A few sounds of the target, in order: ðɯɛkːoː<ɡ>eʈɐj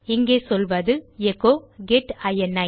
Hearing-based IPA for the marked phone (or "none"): ɡ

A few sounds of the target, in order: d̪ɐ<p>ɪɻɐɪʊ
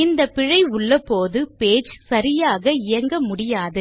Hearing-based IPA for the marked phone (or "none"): p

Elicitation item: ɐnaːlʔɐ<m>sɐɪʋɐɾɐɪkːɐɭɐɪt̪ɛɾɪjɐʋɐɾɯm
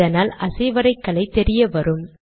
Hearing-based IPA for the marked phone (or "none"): none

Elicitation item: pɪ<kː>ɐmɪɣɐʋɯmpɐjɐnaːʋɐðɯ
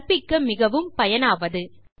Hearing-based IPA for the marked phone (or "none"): kː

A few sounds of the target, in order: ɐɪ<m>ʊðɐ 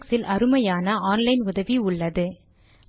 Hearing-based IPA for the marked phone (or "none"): n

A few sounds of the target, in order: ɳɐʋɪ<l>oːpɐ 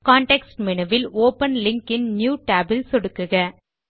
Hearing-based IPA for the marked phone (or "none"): l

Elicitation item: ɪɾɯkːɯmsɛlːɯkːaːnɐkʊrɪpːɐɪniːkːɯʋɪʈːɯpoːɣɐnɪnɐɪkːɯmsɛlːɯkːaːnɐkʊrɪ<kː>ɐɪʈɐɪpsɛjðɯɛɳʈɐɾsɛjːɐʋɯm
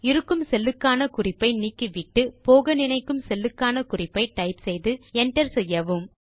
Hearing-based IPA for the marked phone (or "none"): pː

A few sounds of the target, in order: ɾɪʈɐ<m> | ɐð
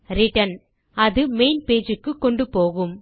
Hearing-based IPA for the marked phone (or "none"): n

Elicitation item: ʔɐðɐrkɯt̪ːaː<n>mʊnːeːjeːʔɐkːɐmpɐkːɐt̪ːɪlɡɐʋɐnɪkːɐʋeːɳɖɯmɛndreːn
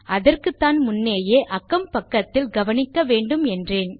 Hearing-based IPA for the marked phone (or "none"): n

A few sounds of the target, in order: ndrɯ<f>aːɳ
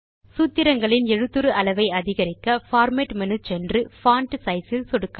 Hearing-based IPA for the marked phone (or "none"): f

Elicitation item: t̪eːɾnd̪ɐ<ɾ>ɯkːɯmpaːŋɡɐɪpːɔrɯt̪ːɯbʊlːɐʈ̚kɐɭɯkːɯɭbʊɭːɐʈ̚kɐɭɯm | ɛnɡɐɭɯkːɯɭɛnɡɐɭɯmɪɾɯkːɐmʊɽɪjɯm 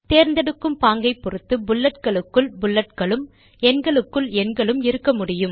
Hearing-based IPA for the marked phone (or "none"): ɽ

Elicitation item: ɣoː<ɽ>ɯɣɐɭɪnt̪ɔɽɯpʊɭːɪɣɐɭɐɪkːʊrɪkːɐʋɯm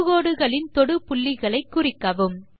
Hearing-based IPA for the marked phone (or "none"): ɽ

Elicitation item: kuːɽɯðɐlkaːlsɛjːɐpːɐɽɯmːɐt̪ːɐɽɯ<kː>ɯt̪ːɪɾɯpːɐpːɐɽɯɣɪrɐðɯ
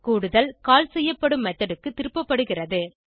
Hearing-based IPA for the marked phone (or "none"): kː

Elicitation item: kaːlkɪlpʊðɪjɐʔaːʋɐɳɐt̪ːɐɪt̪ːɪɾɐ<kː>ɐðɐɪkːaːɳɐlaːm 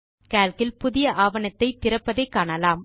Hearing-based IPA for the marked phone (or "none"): pː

